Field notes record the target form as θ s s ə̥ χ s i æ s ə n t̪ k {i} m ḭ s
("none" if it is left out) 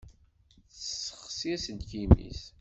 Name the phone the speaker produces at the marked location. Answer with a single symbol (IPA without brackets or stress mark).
i